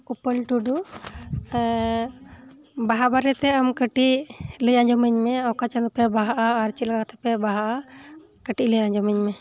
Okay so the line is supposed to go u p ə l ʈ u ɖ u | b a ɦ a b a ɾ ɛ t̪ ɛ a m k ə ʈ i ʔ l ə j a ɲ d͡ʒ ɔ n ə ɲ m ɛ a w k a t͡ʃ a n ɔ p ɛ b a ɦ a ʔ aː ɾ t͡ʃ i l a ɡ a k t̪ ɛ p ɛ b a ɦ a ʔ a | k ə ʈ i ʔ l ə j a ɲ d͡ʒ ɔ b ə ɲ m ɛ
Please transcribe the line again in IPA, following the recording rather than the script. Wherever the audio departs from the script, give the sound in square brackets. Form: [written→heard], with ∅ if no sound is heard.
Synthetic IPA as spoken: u p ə l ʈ u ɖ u | b a ɦ a b a ɾ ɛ t̪ ɛ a m k ə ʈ i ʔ l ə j a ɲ d͡ʒ ɔ [n→m] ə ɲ m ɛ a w k a t͡ʃ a n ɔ p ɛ b a ɦ a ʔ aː ɾ t͡ʃ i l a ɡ a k t̪ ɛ p ɛ b a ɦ a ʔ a | k ə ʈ i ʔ l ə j a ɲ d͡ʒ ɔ [b→m] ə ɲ m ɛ